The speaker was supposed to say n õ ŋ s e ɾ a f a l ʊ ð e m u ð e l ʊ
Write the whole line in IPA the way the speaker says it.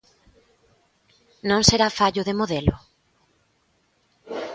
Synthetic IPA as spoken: n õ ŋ s e ɾ a f a ʎ ʊ ð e m o ð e l ʊ